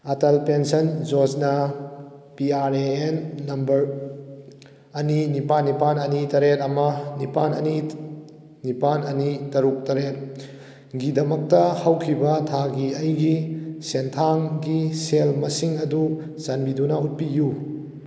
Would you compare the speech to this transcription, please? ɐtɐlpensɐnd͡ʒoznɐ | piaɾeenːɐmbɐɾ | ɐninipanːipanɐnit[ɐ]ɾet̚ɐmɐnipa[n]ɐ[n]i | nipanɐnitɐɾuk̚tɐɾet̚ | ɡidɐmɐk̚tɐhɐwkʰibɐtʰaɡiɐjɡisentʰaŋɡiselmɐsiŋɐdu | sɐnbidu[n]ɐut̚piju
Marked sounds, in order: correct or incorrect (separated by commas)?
correct, correct, correct, correct